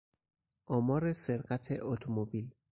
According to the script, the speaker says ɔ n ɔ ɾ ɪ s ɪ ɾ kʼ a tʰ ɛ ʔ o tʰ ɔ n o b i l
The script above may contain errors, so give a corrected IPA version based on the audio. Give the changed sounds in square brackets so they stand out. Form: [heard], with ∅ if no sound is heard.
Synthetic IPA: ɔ [m] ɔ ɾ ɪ s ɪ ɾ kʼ a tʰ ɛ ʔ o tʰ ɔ [m] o b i l